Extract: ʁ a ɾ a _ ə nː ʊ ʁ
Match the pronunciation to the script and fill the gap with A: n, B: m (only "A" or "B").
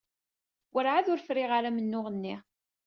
B